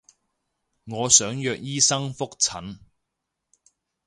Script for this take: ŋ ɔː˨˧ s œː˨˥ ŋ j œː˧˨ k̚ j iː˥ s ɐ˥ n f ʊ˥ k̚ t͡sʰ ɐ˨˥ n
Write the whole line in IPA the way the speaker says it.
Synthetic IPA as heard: ŋ ɔː˨˧ s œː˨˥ ŋ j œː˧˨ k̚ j iː˥ s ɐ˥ ŋ f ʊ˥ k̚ t͡sʰ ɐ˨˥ n